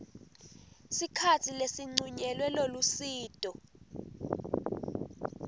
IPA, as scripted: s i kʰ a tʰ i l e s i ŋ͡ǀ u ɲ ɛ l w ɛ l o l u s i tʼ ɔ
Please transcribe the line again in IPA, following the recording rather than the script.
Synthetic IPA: s i kʰ a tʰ i l e s i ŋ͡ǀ u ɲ ɛ l w ɛ l o l u s iː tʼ ɔ